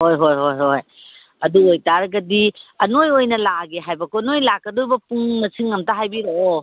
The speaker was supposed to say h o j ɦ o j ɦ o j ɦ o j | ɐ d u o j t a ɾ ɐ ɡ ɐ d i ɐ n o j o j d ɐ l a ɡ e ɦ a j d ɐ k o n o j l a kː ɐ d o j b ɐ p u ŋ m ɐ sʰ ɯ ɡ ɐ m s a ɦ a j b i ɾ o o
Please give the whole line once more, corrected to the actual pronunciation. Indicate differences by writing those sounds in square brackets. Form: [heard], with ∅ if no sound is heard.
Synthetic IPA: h o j ɦ o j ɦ o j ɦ o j | ɐ d u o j t a ɾ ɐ ɡ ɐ d i ɐ n o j o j [n] ɐ l a ɡ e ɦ a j [b] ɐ k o n o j l a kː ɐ d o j b ɐ p u ŋ m ɐ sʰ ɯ [ŋ] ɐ m [t] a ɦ a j b i ɾ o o